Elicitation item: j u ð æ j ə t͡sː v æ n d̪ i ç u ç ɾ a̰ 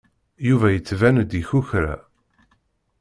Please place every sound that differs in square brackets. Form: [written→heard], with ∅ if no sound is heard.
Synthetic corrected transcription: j u [ð→v] æ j ə t͡sː v æ n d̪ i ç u ç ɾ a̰